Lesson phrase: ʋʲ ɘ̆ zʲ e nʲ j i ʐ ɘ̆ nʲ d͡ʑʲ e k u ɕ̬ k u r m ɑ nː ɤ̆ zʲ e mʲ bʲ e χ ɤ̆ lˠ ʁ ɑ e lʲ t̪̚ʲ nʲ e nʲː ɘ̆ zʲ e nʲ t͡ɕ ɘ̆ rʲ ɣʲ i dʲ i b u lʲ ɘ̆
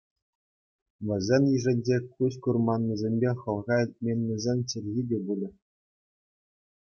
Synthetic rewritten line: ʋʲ ɘ̆ zʲ e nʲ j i ʐ ɘ̆ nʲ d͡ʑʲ e k u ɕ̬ k u r m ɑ nː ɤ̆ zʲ e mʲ bʲ e χ ɤ̆ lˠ ʁ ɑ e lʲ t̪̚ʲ mʲ e nʲː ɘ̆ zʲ e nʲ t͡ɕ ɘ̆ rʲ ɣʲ i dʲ e b u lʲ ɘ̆